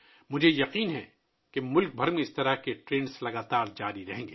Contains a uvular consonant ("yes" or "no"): yes